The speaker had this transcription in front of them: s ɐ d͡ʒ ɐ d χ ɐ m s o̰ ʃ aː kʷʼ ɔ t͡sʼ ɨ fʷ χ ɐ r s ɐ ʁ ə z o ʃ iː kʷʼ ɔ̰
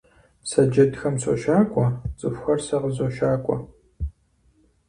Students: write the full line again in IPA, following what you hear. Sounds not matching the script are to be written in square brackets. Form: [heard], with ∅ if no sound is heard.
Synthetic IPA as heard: s ɐ d͡ʒ ɐ d [x] ɐ m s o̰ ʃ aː kʷʼ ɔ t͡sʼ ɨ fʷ [x] ɐ r s ɐ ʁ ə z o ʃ [aː] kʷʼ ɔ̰

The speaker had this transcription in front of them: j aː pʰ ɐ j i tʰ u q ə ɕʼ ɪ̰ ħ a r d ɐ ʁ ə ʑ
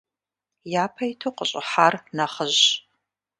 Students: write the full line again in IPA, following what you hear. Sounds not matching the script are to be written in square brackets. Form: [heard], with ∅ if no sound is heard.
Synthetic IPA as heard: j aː pʰ ɐ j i tʰ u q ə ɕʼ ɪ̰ ħ a r [n] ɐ [χ] ə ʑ

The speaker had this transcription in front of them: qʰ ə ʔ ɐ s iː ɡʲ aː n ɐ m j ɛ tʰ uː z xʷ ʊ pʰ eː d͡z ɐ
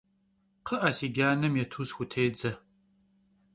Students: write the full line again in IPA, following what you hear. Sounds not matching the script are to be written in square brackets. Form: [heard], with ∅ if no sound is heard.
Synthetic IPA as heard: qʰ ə ʔ ɐ s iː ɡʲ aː n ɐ m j ɛ tʰ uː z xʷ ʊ [tʰ] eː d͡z ɐ

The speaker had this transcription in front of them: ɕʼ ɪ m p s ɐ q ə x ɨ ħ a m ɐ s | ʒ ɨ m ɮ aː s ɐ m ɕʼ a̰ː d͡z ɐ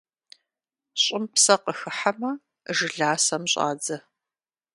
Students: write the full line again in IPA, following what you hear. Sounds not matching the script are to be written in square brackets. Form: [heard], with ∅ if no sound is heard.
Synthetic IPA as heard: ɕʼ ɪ m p s ɐ q ə x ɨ ħ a m ɐ [∅] | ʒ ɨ [∅] ɮ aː s ɐ m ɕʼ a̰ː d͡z ɐ

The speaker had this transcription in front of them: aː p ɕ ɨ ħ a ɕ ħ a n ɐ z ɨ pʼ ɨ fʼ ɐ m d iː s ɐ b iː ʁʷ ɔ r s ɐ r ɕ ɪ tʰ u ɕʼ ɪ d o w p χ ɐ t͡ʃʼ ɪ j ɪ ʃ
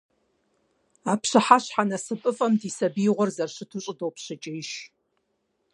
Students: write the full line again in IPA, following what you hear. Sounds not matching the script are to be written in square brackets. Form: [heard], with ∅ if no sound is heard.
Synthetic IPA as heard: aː p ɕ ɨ ħ a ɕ ħ a n ɐ [s] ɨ pʼ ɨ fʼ ɐ m d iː s ɐ b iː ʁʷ ɔ r [z] ɐ r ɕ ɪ tʰ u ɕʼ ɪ d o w p [ɕ] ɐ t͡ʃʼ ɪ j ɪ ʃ

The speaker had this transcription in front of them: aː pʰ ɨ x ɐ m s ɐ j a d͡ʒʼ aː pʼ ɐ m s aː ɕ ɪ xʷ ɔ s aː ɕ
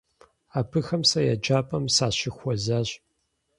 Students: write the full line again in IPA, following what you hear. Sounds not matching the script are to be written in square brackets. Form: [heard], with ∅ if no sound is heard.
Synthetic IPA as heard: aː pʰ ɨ x ɐ m s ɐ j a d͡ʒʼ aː pʼ ɐ m s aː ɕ ɪ xʷ ɔ [z] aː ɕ

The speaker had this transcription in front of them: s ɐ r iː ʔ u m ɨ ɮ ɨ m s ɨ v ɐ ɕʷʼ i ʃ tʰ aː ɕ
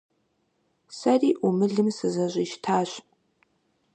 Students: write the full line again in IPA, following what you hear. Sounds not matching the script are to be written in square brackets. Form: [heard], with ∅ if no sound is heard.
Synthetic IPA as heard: s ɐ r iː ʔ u m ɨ ɮ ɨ m s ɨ [z] ɐ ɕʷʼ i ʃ tʰ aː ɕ

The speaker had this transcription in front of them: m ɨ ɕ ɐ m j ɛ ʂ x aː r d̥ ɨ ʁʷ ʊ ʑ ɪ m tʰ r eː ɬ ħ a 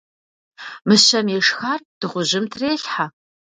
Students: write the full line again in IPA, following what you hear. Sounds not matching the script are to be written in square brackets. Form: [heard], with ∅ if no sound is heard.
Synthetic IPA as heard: m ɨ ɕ ɐ m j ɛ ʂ x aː r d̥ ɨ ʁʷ ʊ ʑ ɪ m tʰ r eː ɬ ħ a

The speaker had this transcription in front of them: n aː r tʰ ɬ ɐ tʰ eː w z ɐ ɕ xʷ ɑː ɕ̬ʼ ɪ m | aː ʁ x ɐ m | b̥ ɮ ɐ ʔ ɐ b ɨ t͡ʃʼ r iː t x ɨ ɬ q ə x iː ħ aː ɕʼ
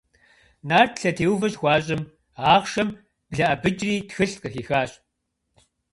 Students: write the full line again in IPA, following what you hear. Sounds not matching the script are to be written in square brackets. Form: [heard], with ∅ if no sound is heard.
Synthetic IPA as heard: n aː r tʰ ɬ ɐ tʰ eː w [v] ɐ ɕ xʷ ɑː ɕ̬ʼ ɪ m | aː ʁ [ʃ] ɐ m | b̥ ɮ ɐ ʔ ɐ b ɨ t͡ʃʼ r iː t x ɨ ɬ q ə x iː [x] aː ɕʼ

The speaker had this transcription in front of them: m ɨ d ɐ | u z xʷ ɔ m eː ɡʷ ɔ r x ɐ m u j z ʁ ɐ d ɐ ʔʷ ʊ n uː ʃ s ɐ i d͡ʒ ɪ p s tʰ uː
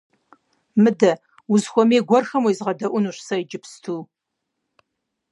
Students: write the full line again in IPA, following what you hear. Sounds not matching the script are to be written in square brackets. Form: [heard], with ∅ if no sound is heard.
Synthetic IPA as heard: m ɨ d ɐ | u z xʷ ɔ m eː ɡʷ ɔ r x ɐ m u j z ʁ ɐ d ɐ ʔʷ ʊ n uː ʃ s ɐ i d͡ʒ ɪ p s tʰ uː

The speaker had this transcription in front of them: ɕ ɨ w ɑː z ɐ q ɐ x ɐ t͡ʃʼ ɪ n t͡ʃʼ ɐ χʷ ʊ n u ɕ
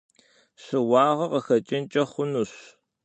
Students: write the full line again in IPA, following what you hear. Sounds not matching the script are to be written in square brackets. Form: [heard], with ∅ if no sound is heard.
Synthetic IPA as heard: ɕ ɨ w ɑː [ʁ] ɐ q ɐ x ɐ t͡ʃʼ ɪ n t͡ʃʼ ɐ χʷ ʊ n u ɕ

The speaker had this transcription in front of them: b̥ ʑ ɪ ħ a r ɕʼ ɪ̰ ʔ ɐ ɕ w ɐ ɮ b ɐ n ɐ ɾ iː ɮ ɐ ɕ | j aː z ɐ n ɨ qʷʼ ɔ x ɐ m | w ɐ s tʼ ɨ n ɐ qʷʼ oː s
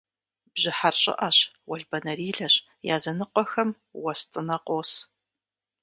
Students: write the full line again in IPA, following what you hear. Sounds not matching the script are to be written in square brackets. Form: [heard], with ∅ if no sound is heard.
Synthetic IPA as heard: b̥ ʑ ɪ ħ a r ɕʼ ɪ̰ ʔ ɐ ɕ w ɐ ɮ b ɐ n ɐ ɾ iː ɮ ɐ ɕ | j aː z ɐ n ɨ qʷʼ ɔ x ɐ m | w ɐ s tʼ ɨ n ɐ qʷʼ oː s

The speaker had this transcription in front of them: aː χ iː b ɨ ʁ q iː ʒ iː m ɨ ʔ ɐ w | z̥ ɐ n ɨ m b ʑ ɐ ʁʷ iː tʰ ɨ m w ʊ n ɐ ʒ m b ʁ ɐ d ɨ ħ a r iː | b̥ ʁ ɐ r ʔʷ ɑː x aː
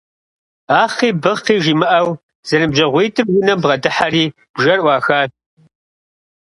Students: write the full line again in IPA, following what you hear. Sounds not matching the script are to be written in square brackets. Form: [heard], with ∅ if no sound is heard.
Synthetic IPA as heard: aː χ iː b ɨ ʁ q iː ʒ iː m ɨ ʔ ɐ w | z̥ ɐ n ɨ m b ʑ ɐ ʁʷ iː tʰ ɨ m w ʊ n ɐ [∅] m b ʁ ɐ d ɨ ħ a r iː | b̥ [ʒ] ɐ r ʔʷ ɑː x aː

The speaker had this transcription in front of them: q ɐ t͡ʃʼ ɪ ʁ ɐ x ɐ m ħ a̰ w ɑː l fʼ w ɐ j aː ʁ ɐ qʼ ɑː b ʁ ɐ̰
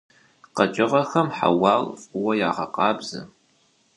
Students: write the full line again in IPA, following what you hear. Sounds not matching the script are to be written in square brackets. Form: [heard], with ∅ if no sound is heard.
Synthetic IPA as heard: q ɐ t͡ʃʼ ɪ ʁ ɐ x ɐ m ħ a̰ w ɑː l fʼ w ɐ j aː ʁ ɐ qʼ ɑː b [z] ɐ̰

